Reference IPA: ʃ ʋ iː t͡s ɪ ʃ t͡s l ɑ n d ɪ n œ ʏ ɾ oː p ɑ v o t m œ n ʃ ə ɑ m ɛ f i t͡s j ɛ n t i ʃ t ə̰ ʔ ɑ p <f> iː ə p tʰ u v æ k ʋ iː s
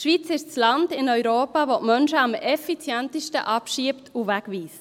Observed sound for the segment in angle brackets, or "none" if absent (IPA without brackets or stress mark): ʃ